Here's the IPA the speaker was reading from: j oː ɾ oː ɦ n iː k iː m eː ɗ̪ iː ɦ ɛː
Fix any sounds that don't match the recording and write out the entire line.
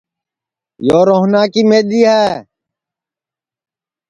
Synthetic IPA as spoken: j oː ɾ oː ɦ n aː k iː m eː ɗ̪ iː ɦ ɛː

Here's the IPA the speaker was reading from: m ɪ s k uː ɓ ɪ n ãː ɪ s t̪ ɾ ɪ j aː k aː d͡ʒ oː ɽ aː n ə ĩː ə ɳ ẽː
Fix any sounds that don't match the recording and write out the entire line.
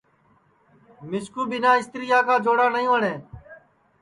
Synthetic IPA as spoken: m ɪ s k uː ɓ ɪ n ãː ɪ s t̪ ɾ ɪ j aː k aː d͡ʒ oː ɽ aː n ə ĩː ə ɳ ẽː

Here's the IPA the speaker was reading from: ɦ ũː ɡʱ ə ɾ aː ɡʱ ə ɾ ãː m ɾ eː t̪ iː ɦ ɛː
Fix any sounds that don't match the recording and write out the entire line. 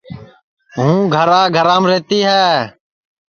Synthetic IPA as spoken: ɦ ũː ɡʱ ə ɾ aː ɡʱ ə ɾ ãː m ɾ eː t̪ iː ɦ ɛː

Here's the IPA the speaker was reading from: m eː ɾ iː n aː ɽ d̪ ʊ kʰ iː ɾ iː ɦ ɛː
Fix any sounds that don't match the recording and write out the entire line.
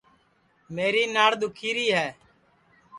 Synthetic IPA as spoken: m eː ɾ iː n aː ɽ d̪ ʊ kʰ iː ɾ iː ɦ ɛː

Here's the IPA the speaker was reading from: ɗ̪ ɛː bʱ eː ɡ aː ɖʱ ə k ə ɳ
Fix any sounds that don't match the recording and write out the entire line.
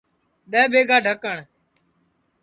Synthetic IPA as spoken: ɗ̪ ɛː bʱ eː ɡ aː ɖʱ ə k ə ɳ

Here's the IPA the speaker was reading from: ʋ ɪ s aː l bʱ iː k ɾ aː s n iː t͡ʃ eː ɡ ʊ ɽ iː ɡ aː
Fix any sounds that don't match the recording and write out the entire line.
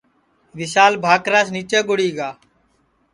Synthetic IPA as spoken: ʋ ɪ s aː l bʱ aː k ɾ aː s n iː t͡ʃ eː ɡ ʊ ɽ iː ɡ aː

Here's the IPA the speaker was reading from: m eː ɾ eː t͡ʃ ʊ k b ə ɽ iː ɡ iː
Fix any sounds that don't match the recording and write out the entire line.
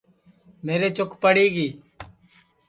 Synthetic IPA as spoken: m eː ɾ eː t͡ʃ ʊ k p ə ɽ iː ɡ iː

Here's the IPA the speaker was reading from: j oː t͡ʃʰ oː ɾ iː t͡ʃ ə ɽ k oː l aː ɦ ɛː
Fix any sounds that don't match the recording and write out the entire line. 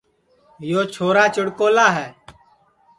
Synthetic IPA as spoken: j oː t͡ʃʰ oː ɾ aː t͡ʃ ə ɽ k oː l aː ɦ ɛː

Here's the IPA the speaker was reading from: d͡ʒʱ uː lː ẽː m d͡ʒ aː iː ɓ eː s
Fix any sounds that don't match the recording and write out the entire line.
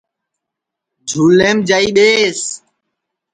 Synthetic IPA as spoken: d͡ʒʱ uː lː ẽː m d͡ʒ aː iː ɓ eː s

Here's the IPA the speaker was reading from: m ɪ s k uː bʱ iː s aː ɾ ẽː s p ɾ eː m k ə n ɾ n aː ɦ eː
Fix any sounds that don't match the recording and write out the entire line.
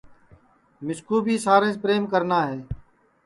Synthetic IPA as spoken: m ɪ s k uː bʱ iː s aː ɾ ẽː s p ɾ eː m k ə ɾ n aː ɦ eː

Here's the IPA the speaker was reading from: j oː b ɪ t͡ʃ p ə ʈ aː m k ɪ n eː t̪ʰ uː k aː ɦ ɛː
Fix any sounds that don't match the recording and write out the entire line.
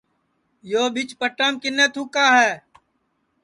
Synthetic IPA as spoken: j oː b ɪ t͡ʃ p ə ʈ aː m k ɪ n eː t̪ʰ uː k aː ɦ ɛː

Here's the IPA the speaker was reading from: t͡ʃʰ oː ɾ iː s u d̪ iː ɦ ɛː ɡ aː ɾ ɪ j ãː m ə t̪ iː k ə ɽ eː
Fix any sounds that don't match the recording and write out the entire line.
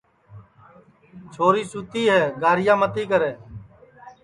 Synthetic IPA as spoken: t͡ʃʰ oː ɾ iː s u t̪ iː ɦ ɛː ɡ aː ɾ ɪ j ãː m ə t̪ iː k ə ɾ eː

